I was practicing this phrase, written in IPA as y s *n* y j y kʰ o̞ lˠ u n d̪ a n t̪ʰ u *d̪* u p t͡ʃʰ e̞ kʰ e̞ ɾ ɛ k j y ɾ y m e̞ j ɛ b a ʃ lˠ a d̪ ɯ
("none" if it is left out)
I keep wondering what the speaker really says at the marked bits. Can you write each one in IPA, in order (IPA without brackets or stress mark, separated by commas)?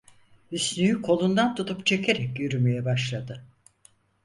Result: n, t̪